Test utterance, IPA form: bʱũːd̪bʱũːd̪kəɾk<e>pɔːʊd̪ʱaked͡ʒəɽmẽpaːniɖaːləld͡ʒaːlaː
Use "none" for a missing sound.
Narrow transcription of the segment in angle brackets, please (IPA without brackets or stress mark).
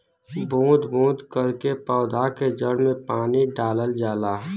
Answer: e